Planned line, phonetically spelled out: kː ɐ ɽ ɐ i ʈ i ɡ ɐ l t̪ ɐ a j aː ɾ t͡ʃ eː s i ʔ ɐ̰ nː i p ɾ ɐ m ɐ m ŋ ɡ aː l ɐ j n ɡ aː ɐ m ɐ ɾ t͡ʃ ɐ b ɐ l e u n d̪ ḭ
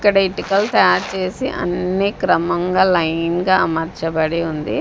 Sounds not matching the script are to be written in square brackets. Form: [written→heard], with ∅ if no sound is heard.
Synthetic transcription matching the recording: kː ɐ ɽ ɐ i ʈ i [ɡ→k] ɐ l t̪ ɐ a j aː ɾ t͡ʃ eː s i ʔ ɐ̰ nː i [p→k] ɾ ɐ m ɐ [m→∅] ŋ ɡ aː l ɐ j n ɡ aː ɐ m ɐ ɾ t͡ʃ ɐ b ɐ [l→ɽ] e u n d̪ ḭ